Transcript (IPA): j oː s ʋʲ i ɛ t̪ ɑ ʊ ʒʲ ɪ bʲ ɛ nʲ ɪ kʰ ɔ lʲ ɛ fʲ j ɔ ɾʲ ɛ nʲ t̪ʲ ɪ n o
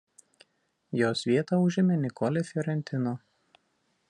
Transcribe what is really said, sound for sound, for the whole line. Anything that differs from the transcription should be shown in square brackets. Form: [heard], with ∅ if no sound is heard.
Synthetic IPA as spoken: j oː s ʋʲ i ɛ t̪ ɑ ʊ ʒʲ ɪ [mʲ] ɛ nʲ ɪ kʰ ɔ lʲ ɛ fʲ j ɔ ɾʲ ɛ nʲ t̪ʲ ɪ n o